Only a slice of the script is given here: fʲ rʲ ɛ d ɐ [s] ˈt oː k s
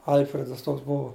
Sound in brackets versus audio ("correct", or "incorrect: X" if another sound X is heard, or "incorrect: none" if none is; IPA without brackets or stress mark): correct